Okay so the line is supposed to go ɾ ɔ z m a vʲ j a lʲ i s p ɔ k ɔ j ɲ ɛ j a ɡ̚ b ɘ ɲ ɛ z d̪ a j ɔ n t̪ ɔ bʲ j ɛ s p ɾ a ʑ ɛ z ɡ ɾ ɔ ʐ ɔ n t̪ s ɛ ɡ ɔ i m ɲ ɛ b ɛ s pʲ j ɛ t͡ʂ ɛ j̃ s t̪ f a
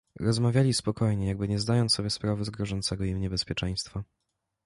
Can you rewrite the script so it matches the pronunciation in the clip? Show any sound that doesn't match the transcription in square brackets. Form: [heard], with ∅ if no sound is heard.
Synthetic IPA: ɾ ɔ z m a vʲ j a lʲ i s p ɔ k ɔ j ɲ ɛ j a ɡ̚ b ɘ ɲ ɛ z d̪ a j ɔ n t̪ ɔ bʲ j ɛ s p ɾ a [v] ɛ z ɡ ɾ ɔ ʐ ɔ n t̪ s ɛ ɡ ɔ i m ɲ ɛ b ɛ s pʲ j ɛ t͡ʂ ɛ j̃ s t̪ f a